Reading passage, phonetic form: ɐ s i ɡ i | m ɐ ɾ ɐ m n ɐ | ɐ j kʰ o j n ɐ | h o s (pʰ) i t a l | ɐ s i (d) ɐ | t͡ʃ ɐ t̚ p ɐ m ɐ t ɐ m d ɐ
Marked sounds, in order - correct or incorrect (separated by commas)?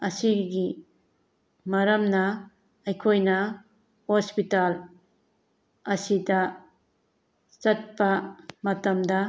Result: incorrect, correct